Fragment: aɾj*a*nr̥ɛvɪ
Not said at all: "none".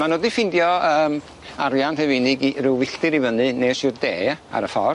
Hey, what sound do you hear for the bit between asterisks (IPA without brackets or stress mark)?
a